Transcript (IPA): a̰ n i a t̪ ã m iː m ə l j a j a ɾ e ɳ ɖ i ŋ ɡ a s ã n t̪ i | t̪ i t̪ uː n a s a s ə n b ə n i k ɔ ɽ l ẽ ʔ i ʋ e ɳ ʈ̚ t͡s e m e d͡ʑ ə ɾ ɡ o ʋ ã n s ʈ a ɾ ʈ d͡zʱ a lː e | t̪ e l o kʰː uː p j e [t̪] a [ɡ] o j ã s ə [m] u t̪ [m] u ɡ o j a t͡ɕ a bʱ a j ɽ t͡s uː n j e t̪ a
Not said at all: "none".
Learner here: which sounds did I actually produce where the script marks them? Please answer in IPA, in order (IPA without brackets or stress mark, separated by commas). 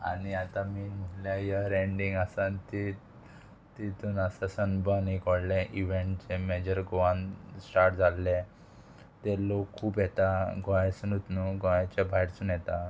t̪, ɡ, n, n